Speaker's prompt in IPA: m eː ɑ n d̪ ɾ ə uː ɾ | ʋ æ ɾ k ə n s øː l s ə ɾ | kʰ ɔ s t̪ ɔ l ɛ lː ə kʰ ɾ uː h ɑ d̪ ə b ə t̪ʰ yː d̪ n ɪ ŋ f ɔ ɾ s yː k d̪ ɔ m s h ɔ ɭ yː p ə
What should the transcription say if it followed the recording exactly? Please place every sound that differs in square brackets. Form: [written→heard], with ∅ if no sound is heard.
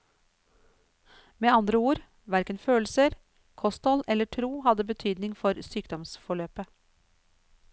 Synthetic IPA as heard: m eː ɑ n d̪ ɾ ə uː ɾ | ʋ æ ɾ k ə n [s→f] øː l s ə ɾ | kʰ ɔ s t̪ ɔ l ɛ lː ə [kʰ→ʈʰ] ɾ uː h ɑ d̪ ə b ə t̪ʰ yː d̪ n ɪ ŋ f ɔ ɾ s yː k d̪ ɔ m s [h→f] ɔ ɭ [yː→øː] p ə